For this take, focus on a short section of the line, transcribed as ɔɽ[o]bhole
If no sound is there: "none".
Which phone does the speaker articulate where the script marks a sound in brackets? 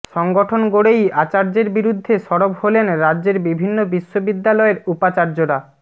o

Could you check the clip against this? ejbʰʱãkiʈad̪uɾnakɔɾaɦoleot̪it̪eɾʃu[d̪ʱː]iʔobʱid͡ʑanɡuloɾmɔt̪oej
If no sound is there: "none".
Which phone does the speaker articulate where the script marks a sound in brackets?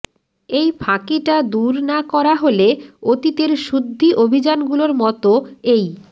d̪ʱː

